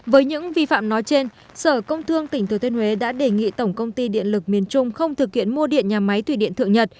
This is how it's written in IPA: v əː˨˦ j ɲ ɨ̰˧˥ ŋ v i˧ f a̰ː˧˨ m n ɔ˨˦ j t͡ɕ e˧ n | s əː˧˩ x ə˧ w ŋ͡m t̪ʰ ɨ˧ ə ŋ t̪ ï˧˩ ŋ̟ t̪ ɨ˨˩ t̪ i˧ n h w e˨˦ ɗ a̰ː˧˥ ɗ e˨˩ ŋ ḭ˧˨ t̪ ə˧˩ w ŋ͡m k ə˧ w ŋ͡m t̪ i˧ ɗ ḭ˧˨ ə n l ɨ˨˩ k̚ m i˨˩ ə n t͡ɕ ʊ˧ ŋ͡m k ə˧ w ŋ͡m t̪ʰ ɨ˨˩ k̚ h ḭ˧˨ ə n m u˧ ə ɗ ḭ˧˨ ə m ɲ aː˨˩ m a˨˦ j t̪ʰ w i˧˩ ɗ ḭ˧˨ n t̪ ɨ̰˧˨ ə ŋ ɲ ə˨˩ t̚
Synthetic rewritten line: v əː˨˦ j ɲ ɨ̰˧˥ ŋ v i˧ f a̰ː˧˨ m n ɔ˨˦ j t͡ɕ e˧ n | s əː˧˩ k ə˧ w ŋ͡m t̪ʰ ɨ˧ ə ŋ t̪ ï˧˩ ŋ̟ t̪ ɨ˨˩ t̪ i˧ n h w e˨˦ ɗ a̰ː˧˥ ɗ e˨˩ ŋ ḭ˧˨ t̪ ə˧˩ w ŋ͡m k ə˧ w ŋ͡m t̪ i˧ ɗ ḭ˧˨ ə n l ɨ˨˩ k̚ m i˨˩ ə n t͡ɕ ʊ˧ ŋ͡m x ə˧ w ŋ͡m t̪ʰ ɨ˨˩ k̚ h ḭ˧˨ ə n m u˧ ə ɗ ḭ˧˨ ə n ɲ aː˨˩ m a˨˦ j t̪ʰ w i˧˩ ɗ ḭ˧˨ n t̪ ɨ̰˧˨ ə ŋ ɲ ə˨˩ t̚